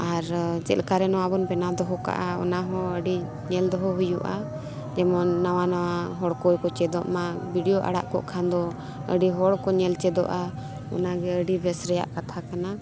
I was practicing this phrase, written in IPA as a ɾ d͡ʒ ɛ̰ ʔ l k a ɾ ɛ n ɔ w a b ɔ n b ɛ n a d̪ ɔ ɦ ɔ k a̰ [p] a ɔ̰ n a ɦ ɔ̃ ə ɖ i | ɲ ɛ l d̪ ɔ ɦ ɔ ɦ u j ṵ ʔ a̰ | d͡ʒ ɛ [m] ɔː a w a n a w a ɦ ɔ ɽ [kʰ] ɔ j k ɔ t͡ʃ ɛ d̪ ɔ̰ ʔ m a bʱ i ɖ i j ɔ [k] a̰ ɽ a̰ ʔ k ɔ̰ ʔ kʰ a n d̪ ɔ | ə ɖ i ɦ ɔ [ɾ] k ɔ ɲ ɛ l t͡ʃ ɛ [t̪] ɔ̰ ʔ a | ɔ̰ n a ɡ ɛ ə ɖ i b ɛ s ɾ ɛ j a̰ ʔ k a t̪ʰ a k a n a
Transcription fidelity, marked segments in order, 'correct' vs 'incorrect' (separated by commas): incorrect, correct, incorrect, incorrect, incorrect, incorrect